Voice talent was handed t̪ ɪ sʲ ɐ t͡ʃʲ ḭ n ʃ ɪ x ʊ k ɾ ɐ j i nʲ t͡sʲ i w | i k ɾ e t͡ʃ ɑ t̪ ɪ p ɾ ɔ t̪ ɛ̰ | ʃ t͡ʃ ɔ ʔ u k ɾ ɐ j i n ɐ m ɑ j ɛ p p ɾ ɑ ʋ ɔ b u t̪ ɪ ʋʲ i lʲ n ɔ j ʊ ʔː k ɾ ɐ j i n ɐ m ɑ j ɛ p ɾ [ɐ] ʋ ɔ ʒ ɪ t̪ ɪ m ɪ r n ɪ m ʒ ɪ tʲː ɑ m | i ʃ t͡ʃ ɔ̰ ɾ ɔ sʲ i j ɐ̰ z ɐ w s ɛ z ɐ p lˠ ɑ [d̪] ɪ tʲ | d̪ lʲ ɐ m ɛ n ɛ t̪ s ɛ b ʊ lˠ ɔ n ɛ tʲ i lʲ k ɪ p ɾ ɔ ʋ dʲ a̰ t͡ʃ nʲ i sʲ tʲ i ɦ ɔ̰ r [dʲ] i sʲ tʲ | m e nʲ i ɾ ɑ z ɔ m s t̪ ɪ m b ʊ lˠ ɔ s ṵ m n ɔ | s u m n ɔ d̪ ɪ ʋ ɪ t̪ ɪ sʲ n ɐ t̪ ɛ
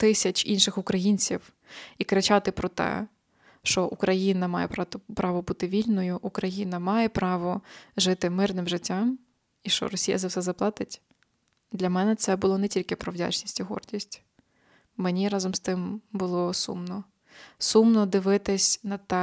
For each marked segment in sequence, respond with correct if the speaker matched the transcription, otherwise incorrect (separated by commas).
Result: incorrect, incorrect, correct